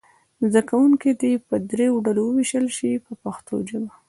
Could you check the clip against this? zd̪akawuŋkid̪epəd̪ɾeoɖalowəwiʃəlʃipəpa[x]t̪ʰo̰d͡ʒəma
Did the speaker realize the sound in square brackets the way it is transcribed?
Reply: yes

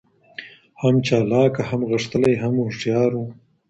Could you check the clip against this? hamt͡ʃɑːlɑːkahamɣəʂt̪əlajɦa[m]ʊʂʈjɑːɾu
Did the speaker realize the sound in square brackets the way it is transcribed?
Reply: yes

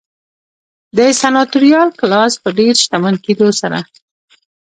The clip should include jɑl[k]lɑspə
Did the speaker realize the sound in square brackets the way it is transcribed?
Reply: yes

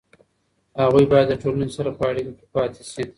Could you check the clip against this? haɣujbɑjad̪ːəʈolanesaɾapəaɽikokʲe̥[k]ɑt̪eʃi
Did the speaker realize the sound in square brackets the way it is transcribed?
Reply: no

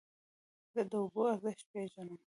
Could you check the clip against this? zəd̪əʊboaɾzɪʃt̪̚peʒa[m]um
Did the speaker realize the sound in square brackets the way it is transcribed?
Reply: no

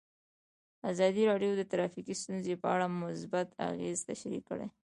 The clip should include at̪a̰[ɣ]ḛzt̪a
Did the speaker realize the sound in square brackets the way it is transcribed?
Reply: yes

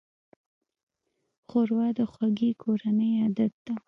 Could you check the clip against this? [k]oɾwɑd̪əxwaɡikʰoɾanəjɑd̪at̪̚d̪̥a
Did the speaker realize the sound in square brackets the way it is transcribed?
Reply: no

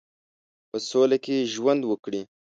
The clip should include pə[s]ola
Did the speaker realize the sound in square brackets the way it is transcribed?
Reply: yes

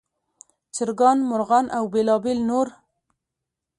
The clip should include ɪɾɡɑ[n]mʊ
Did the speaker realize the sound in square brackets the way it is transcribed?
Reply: yes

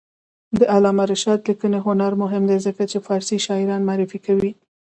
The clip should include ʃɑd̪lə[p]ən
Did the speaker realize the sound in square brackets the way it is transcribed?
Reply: no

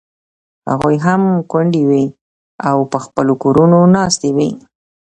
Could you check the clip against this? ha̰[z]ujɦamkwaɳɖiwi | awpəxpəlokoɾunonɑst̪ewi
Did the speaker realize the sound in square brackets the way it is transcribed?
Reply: no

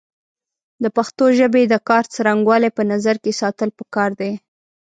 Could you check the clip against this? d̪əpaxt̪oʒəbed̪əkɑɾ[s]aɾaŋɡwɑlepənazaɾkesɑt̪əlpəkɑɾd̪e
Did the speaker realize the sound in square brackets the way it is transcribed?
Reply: no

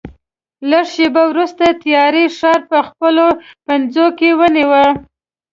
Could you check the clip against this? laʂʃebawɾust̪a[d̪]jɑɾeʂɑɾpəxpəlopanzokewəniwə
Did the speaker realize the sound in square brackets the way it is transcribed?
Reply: no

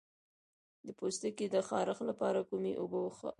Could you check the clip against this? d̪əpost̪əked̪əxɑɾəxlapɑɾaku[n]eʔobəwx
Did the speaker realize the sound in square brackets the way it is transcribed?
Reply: no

